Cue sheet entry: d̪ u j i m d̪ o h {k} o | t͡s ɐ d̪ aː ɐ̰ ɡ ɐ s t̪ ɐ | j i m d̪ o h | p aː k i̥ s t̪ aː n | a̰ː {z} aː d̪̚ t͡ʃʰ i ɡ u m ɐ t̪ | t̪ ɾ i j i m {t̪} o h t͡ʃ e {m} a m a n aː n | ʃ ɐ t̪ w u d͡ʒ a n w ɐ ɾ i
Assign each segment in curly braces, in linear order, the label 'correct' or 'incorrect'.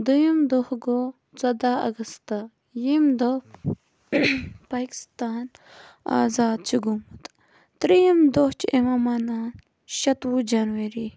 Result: incorrect: ɡ, correct, incorrect: d̪, correct

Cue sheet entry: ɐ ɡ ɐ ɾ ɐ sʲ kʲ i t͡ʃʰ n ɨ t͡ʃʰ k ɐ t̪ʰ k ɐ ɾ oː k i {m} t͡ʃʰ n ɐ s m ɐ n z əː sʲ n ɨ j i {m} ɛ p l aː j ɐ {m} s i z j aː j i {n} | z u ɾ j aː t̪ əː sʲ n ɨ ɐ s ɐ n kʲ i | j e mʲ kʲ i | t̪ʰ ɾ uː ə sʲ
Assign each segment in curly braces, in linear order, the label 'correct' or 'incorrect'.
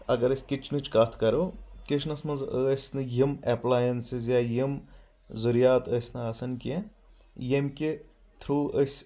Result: incorrect: none, correct, incorrect: n, incorrect: m

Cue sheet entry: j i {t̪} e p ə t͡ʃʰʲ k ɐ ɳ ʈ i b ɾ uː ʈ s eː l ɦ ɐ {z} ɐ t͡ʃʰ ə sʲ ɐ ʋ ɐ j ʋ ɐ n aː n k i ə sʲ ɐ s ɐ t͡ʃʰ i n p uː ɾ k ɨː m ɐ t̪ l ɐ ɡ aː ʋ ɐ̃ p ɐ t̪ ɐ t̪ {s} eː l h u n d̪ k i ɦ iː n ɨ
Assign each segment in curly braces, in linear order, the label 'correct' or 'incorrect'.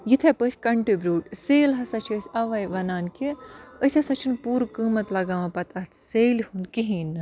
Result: incorrect: t̪ʰ, incorrect: s, correct

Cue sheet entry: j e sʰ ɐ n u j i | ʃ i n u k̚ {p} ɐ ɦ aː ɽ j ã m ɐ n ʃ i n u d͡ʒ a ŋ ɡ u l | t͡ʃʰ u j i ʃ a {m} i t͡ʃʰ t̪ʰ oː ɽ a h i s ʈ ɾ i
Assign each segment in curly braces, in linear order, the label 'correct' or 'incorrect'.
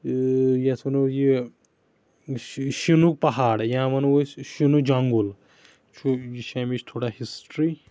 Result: correct, correct

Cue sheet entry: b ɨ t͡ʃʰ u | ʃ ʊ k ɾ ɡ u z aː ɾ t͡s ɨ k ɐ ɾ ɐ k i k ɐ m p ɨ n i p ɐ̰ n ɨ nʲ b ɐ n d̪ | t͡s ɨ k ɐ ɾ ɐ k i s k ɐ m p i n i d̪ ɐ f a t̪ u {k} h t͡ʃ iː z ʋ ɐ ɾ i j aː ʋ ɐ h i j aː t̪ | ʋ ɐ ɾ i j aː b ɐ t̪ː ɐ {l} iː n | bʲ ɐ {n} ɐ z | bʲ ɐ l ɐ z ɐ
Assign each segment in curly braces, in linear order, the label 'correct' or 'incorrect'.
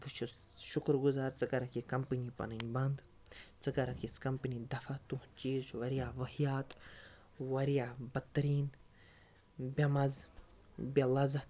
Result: incorrect: none, incorrect: ɾ, incorrect: m

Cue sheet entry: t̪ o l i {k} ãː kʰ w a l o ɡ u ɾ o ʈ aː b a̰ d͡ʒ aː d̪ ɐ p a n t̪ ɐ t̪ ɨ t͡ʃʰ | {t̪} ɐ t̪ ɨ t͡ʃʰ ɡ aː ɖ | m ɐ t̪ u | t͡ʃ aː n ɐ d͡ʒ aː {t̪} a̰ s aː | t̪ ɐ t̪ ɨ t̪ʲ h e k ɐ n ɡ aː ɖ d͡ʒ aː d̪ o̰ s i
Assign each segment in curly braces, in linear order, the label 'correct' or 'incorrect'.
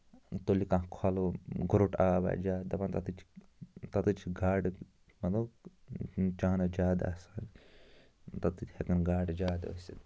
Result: correct, correct, incorrect: d̪

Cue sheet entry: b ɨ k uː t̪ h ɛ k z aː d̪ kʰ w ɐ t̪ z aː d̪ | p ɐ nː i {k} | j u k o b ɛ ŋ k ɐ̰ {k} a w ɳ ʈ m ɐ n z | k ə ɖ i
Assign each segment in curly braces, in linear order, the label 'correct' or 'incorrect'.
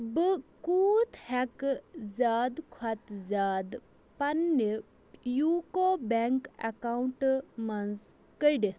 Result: incorrect: none, correct

